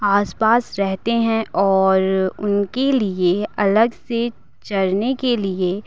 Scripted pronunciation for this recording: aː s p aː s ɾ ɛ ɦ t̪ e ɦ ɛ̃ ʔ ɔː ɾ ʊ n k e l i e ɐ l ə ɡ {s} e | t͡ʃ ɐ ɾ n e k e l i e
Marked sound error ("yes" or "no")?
no